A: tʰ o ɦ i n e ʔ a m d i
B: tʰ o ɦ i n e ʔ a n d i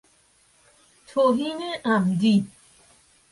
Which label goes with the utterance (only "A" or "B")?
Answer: A